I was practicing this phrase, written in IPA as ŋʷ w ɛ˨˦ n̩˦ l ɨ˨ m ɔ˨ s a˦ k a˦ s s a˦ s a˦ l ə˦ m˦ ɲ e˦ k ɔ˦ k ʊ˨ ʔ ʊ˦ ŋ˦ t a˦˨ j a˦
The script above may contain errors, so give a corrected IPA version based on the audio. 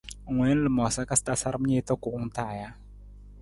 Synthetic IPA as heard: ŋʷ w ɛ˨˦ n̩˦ l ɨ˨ m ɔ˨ s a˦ k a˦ s t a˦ s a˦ ɾ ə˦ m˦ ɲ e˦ t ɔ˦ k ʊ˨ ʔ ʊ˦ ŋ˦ t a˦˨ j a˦

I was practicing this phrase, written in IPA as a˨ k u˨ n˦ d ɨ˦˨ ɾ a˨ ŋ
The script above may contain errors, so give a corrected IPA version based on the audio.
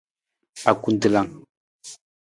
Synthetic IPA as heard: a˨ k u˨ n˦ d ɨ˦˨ l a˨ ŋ

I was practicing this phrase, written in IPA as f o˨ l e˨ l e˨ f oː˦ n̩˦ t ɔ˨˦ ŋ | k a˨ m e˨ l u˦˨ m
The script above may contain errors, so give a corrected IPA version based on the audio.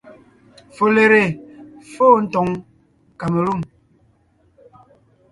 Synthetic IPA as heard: f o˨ l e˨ ɾ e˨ f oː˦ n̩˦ t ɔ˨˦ ŋ | k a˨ m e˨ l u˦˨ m

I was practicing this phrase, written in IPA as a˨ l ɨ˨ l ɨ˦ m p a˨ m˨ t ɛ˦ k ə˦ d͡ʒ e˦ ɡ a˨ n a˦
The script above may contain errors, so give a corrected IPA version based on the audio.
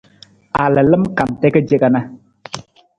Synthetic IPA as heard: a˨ l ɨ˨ l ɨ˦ m k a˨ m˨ t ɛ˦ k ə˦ d͡ʒ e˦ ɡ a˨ n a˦

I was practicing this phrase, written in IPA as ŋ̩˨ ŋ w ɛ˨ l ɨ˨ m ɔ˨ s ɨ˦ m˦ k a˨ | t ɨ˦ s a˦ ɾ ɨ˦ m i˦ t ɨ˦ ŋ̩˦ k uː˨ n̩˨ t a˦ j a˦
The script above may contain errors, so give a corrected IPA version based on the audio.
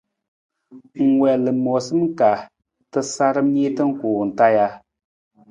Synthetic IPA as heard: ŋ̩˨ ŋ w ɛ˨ l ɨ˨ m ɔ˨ s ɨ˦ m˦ k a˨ | t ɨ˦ s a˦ ɾ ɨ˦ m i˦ t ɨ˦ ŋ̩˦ k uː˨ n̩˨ t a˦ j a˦

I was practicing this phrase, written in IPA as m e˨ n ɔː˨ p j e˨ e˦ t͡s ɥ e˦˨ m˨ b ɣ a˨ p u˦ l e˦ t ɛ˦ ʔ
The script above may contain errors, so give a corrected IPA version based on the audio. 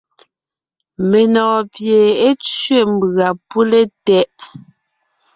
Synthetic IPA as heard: m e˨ n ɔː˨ p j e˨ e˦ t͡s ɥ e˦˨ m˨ b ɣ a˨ p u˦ l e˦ t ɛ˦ ʔ

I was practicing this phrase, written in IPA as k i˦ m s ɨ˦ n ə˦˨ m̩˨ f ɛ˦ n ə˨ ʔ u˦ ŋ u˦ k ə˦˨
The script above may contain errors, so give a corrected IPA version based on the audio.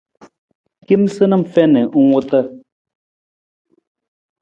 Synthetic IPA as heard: k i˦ m s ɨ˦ n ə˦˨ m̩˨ f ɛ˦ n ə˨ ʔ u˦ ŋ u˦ t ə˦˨

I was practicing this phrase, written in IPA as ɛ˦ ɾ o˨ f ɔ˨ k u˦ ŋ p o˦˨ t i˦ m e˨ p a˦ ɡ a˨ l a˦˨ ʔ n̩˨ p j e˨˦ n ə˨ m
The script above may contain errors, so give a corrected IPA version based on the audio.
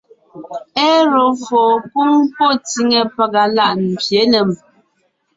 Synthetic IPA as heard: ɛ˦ ɾ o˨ f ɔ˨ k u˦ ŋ p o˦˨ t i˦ ŋ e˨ p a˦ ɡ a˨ l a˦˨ ʔ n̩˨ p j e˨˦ n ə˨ m

